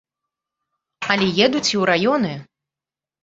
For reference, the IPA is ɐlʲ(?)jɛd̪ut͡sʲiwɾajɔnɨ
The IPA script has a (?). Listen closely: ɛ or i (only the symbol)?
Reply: ɛ